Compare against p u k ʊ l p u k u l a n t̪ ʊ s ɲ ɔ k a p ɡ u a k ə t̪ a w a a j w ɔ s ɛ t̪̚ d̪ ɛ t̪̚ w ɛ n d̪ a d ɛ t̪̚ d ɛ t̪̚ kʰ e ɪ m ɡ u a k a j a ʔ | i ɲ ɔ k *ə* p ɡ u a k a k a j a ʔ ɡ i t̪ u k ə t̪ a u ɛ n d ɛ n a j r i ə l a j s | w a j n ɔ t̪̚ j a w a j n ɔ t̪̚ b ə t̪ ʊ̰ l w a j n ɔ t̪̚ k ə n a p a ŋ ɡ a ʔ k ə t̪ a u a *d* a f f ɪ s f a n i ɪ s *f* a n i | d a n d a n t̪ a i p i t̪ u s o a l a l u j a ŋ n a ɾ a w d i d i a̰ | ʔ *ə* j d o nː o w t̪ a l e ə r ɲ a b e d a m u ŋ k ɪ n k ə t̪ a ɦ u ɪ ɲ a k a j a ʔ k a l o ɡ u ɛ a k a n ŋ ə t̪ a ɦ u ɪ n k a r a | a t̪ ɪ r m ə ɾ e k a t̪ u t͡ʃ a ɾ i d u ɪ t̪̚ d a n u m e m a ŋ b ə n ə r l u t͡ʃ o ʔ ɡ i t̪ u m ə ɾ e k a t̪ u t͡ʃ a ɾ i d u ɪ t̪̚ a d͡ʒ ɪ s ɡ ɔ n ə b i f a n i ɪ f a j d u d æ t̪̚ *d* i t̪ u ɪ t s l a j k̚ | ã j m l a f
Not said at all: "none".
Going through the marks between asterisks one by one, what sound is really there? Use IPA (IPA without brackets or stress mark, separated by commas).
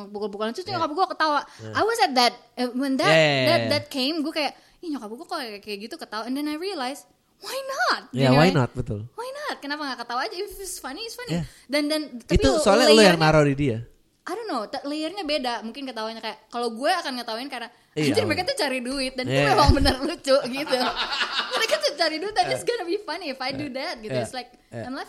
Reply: a, d͡ʒ, f, a, ɡ